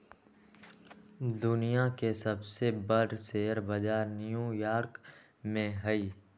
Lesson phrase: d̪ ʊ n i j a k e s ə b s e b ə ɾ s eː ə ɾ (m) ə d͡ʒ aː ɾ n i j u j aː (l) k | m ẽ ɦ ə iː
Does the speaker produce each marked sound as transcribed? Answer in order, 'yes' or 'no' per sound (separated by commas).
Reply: no, no